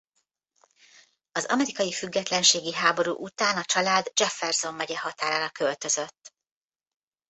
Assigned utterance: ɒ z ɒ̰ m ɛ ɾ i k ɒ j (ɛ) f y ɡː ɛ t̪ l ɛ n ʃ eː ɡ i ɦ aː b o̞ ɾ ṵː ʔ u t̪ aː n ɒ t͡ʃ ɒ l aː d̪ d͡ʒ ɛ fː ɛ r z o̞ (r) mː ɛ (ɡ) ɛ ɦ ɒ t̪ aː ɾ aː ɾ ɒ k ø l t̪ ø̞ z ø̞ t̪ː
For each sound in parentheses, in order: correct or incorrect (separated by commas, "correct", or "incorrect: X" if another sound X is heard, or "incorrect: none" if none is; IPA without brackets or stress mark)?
incorrect: i, incorrect: none, incorrect: ɟ